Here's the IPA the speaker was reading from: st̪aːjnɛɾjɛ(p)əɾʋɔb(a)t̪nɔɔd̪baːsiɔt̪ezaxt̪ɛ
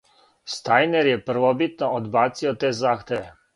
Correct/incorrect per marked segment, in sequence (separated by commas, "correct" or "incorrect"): correct, incorrect